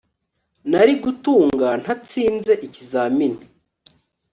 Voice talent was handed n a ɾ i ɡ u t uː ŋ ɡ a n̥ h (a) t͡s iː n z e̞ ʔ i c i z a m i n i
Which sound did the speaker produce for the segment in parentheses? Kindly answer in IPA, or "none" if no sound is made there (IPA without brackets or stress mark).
a